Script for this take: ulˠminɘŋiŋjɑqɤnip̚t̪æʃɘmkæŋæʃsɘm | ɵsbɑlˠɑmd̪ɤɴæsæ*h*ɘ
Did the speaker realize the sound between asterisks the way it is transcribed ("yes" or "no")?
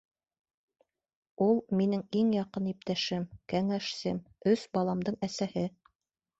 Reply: yes